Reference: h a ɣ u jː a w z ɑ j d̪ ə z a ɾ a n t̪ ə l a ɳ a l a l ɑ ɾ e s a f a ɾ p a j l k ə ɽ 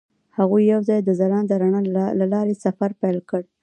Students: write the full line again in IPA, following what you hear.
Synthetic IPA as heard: h a ɣ u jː a w z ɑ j d̪ ə z a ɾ ɑ n d̪ ə ɾ a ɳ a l a l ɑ ɾ e s a f a ɾ p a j l k ə ɽ